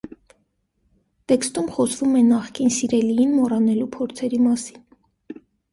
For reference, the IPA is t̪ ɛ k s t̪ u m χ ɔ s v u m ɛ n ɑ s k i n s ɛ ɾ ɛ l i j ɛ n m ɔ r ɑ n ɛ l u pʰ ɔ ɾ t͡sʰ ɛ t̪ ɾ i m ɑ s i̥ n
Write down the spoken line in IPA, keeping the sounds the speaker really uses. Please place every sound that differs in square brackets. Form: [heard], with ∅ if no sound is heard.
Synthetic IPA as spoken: t̪ ɛ k s t̪ u m χ ɔ s v u m ɛ n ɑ [χ] k i n s [i] ɾ ɛ l i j [i] n m ɔ r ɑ n ɛ l u pʰ ɔ ɾ t͡sʰ ɛ [∅] ɾ i m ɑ s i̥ n